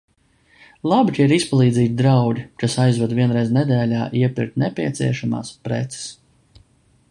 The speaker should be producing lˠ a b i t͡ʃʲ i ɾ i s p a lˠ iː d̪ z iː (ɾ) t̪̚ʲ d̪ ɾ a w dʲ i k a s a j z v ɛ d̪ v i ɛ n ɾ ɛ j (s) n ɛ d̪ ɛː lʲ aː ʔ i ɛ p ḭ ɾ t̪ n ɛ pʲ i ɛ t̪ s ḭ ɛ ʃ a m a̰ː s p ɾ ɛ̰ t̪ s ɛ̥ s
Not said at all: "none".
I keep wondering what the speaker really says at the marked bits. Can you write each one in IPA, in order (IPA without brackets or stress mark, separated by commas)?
none, z